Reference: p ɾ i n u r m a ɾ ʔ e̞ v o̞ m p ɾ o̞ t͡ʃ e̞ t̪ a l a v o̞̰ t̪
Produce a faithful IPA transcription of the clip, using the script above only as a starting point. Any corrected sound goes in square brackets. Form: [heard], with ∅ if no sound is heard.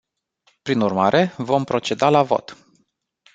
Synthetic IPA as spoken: p ɾ i n u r m a ɾ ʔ e̞ v o̞ m p ɾ o̞ t͡ʃ e̞ [d̪] a l a v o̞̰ t̪